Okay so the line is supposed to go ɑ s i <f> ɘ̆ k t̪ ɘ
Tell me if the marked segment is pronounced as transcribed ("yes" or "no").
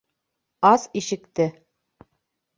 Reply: no